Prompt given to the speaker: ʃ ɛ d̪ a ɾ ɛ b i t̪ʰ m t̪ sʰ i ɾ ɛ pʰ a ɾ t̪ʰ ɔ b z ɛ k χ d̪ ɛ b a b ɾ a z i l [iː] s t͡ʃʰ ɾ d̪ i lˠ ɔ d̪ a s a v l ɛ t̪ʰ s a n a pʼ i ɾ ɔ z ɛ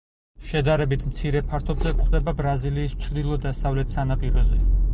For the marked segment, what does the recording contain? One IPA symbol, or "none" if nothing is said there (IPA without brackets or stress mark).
iː